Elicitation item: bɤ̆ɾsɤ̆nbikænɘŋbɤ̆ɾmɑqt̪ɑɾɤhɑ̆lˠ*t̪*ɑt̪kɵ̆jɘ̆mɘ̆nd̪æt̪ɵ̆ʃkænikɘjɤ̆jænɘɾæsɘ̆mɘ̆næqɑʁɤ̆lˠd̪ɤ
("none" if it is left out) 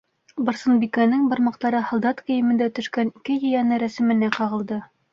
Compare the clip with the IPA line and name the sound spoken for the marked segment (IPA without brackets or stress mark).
d̪